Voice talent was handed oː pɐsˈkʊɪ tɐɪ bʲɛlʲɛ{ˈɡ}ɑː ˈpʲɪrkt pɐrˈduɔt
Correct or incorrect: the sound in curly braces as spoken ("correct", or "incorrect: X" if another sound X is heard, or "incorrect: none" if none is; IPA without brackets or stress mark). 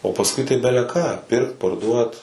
incorrect: k